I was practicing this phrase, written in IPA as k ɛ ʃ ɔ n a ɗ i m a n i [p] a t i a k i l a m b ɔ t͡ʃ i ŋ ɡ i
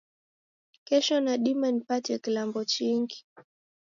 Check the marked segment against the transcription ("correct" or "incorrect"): correct